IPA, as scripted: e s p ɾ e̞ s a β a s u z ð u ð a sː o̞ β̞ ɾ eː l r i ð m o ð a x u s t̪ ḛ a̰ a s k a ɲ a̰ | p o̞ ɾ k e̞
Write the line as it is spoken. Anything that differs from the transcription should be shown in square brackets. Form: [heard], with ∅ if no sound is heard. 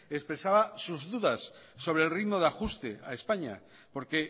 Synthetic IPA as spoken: e s p ɾ e̞ s a β a s u z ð u ð a sː o̞ β̞ ɾ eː l r i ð m o ð a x u s t̪ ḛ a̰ [e] s [p] a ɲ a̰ | p o̞ ɾ k e̞

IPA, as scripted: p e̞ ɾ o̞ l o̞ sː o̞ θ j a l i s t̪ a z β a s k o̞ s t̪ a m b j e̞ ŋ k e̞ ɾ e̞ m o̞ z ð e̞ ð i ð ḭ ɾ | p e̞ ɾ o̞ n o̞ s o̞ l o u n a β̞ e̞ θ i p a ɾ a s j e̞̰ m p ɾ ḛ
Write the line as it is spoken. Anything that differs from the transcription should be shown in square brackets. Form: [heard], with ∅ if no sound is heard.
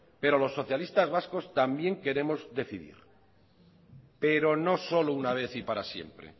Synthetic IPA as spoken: p e̞ ɾ o̞ l o̞ sː o̞ θ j a l i s t̪ a z β a s k o̞ s t̪ a m b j e̞ ŋ k e̞ ɾ e̞ m o̞ z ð e̞ [θ] i ð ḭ ɾ | p e̞ ɾ o̞ n o̞ s o̞ l o u n a β̞ e̞ θ i p a ɾ a s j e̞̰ m p ɾ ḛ

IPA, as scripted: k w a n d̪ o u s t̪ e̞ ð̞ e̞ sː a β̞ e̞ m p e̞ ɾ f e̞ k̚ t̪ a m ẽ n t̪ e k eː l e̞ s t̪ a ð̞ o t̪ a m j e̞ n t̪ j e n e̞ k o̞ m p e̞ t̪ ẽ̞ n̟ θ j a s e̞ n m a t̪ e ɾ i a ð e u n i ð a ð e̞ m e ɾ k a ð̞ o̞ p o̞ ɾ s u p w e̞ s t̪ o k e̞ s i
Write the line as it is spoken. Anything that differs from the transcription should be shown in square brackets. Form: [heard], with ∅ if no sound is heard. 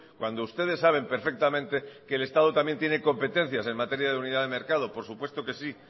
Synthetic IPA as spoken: k w a n d̪ o u s t̪ e̞ ð̞ e̞ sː a β̞ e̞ m p e̞ ɾ f e̞ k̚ t̪ a m ẽ n t̪ e k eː l e̞ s t̪ a ð̞ o t̪ a m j e̞ n t̪ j e n e̞ k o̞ m p e̞ t̪ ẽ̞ n̟ θ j a s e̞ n m a t̪ e ɾ [j] a ð e u n i ð a ð e̞ m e ɾ k a ð̞ o̞ p o̞ ɾ s u p w e̞ s t̪ o k e̞ s i

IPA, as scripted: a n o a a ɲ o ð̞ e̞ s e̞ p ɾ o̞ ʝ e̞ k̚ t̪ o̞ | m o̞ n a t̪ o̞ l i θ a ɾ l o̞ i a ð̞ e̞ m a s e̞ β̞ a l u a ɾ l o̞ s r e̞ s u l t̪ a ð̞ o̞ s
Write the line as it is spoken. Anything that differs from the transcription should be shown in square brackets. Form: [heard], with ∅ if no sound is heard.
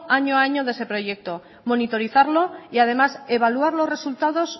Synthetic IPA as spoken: a [ɲ] o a a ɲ o ð̞ e̞ s e̞ p ɾ o̞ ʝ e̞ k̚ t̪ o̞ | m o̞ n [i] t̪ o̞ [ɾ] i θ a ɾ l o̞ i a ð̞ e̞ m a s e̞ β̞ a l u a ɾ l o̞ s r e̞ s u l t̪ a ð̞ o̞ s

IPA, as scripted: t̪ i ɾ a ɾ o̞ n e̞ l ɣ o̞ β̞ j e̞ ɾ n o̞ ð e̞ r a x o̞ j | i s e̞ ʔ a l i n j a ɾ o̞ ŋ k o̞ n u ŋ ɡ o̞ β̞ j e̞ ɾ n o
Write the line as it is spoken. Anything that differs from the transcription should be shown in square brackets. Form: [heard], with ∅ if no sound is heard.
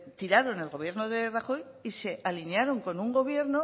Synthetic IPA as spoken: t̪ i ɾ a ɾ o̞ n e̞ l ɣ o̞ β̞ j e̞ ɾ n o̞ ð e̞ r a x o̞ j | i s e̞ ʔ a l i n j a ɾ o̞ ŋ k o̞ n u ŋ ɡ o̞ β̞ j e̞ ɾ n o

